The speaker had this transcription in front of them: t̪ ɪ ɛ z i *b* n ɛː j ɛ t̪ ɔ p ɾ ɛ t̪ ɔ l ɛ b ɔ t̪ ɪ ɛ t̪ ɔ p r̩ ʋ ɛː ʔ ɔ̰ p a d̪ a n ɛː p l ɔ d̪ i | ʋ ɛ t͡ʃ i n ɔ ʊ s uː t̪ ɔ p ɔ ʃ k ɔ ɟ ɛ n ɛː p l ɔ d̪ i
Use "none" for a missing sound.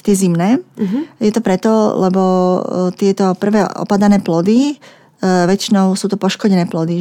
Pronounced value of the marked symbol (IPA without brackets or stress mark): m